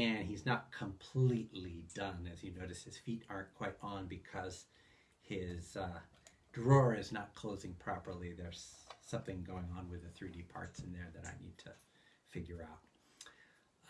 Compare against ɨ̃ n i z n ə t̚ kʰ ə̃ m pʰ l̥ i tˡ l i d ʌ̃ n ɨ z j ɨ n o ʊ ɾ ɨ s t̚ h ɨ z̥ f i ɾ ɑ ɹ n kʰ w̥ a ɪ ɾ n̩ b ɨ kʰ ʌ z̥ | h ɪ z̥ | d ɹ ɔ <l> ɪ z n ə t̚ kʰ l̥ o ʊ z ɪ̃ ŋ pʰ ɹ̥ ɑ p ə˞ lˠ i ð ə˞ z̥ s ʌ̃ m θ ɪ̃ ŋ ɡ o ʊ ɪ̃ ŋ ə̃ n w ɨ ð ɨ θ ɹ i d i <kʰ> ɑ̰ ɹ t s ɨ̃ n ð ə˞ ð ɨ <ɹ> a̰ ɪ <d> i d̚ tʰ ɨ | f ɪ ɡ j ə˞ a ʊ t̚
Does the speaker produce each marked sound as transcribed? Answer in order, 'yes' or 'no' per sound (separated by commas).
no, no, no, no